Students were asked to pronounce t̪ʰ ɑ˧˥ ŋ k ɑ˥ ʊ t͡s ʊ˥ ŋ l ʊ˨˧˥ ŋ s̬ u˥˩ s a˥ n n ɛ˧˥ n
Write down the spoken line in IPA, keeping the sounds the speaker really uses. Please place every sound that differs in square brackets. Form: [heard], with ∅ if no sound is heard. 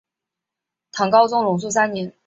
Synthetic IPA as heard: t̪ʰ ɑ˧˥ ŋ k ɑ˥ ʊ t͡s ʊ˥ ŋ l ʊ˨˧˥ ŋ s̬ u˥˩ s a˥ n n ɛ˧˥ n